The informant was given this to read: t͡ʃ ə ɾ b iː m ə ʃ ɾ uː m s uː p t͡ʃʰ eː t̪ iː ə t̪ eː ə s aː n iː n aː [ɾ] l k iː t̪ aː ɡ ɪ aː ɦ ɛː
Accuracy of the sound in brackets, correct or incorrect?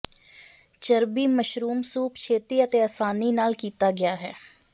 incorrect